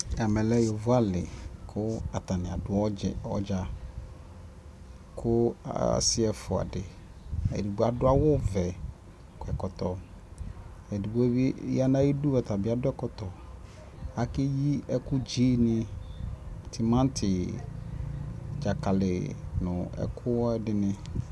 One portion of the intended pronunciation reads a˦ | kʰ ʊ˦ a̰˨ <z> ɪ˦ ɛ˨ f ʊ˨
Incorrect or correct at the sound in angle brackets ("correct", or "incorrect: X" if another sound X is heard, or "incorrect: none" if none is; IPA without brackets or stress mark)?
incorrect: s